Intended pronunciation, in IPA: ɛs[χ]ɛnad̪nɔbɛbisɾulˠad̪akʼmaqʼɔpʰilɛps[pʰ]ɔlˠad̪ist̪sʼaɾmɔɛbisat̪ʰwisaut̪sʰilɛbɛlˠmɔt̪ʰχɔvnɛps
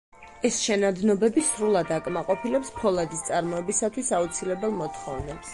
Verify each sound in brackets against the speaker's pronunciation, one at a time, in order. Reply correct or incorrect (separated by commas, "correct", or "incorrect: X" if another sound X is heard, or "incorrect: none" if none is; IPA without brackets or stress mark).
incorrect: ʃ, correct